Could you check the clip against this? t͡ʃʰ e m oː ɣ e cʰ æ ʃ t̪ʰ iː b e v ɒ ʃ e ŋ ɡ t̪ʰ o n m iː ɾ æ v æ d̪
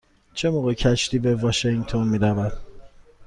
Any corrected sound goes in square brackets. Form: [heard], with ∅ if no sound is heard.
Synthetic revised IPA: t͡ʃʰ e m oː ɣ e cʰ æ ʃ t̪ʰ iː b e v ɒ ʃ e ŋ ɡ t̪ʰ o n m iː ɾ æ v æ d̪